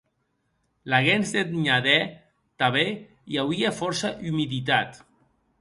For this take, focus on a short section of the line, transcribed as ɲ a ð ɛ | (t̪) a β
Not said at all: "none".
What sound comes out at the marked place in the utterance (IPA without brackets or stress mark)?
t̪